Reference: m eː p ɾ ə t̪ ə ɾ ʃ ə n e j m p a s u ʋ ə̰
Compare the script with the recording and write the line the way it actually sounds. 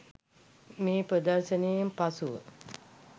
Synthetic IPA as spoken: m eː p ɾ ə d̪ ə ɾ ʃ ə n e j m p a s u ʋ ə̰